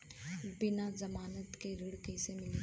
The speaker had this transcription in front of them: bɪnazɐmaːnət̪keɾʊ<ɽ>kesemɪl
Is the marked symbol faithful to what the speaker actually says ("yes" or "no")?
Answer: yes